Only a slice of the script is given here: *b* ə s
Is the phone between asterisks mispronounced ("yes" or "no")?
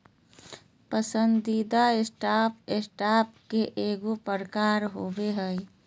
yes